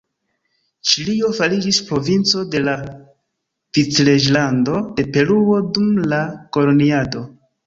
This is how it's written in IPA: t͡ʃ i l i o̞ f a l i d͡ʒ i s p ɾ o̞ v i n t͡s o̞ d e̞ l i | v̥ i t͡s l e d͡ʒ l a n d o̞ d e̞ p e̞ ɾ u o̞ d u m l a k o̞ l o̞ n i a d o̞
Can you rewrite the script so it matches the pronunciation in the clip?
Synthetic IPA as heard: t͡ʃ i l i o̞ f a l i d͡ʒ i s p ɾ o̞ v i n t͡s o̞ d e̞ l a | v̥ i t͡s l e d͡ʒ l a n d o̞ d e̞ p e̞ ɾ u o̞ d u m l a k o̞ l o̞ n i a d o̞